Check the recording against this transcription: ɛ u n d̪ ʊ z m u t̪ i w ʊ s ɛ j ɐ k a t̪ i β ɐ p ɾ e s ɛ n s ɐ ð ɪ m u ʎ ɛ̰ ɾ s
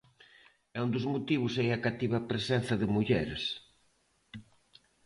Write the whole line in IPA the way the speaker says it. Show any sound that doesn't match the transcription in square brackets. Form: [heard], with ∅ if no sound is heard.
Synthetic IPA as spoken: ɛ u n d̪ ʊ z m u t̪ i [β] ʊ s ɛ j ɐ k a t̪ i β ɐ p ɾ e s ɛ n [θ] ɐ ð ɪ m u ʎ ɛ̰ ɾ s